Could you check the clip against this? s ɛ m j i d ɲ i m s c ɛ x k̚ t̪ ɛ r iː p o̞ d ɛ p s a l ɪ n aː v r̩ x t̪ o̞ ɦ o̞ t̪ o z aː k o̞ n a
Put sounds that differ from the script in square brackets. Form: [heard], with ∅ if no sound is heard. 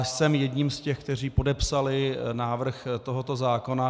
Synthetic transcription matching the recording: s ɛ m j [ɛ] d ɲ i m s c ɛ x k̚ t̪ ɛ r iː p o̞ d ɛ p s a l ɪ n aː v r̩ x t̪ o̞ ɦ o̞ t̪ o z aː k o̞ n a